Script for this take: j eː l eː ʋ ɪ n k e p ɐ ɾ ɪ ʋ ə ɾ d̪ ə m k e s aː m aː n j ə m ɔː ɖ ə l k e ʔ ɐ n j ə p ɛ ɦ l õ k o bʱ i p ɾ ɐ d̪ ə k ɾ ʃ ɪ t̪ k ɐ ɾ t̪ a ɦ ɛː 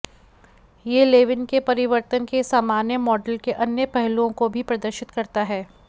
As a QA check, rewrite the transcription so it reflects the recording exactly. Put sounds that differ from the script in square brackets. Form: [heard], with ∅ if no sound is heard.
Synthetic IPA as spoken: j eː l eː ʋ ɪ n k e p ɐ ɾ ɪ ʋ ə ɾ [t̪] ə [n] k e s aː m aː n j ə m ɔː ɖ ə l k e ʔ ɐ n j ə p ɛ ɦ l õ k o bʱ i p ɾ ɐ d̪ ə [∅] ɾ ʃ ɪ t̪ k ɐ ɾ t̪ a ɦ ɛː